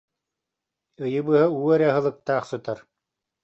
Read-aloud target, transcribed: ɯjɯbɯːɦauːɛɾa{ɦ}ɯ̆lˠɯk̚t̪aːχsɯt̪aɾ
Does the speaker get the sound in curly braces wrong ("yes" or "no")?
no